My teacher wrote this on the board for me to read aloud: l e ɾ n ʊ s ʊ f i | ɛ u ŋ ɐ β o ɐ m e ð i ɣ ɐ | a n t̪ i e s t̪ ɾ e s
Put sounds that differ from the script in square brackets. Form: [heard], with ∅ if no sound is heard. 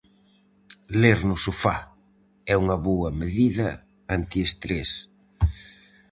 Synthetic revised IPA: l e ɾ n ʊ s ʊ f [a] | ɛ u ŋ ɐ β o ɐ m e ð i [ð] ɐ | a n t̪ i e s t̪ ɾ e s